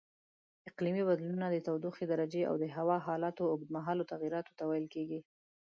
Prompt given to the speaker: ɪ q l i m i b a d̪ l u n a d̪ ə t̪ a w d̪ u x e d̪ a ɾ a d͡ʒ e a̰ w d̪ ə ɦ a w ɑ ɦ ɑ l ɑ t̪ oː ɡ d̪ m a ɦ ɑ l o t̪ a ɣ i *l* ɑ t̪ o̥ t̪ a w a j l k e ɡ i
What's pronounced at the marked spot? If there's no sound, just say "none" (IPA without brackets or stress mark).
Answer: ɾ